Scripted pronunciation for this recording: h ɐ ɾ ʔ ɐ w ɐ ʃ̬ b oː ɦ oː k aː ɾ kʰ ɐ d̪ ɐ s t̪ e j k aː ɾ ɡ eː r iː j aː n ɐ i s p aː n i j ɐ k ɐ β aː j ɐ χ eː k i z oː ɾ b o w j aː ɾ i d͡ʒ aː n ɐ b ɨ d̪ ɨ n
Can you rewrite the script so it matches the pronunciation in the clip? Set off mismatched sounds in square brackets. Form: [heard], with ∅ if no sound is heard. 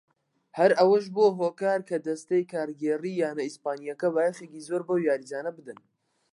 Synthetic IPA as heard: h ɐ ɾ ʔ ɐ w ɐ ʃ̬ b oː ɦ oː k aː ɾ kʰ ɐ d̪ ɐ s t̪ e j k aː ɾ ɡ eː r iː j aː n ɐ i s p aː n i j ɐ k ɐ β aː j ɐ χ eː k i z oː ɾ b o w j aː ɾ i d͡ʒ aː n ɐ b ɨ d̪ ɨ n